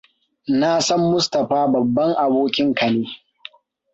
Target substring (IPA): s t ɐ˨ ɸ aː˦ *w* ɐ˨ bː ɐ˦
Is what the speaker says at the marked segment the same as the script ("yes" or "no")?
no